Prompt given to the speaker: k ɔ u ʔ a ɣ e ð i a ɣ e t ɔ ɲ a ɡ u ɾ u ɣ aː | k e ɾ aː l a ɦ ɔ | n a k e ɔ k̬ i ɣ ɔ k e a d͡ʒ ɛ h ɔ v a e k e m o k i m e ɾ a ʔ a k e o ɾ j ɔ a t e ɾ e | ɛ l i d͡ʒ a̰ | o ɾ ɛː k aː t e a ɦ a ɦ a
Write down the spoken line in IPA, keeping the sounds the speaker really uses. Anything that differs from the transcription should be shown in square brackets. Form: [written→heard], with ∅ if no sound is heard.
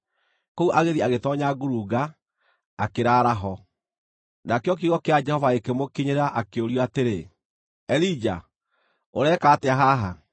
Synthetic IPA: k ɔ u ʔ a ɣ e ð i a ɣ e t ɔ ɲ a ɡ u ɾ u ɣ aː | k e ɾ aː [l→ɾ] a ɦ ɔ | n a k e ɔ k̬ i ɣ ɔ k e a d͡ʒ ɛ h ɔ v a e k e m o k i [m→ɲ] e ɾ a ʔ a k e o ɾ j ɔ a t e ɾ e | ɛ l i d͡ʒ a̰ | o ɾ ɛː k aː t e a ɦ a ɦ a